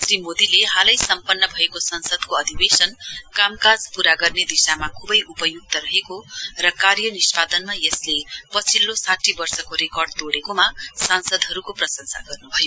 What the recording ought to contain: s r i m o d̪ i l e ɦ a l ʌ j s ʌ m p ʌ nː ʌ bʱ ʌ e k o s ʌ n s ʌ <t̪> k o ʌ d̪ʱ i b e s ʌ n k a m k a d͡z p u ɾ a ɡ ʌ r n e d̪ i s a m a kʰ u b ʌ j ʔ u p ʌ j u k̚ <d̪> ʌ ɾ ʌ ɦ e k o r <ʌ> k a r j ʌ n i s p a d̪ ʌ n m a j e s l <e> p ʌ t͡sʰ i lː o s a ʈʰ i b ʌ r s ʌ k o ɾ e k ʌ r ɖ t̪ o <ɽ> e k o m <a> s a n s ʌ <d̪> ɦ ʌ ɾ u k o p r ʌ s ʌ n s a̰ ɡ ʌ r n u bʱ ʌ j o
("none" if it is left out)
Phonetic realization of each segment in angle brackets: d̪, t̪, ʌ, e, ɽ, a, d̪

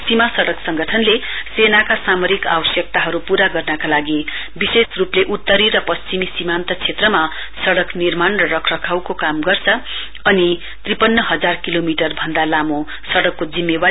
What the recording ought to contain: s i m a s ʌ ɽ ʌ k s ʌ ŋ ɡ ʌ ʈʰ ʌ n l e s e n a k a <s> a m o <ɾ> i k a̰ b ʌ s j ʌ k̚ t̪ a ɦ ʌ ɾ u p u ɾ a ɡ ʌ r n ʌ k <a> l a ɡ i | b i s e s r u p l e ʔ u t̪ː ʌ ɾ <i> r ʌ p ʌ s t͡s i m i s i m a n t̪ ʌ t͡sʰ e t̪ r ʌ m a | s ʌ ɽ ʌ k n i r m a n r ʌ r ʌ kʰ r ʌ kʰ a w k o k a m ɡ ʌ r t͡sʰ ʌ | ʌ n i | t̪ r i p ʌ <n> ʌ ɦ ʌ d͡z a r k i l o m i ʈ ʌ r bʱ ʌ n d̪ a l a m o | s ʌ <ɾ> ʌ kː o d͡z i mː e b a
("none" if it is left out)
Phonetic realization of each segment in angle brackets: s, ɾ, a, i, nː, ɽ

